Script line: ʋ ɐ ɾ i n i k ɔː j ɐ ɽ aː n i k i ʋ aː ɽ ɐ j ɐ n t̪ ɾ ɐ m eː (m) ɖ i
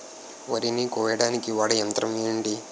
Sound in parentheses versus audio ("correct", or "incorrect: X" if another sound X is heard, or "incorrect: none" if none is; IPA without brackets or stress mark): incorrect: ɳ